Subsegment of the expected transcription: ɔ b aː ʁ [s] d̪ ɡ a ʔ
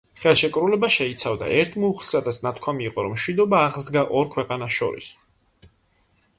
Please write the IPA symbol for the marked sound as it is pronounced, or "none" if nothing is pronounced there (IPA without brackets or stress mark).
z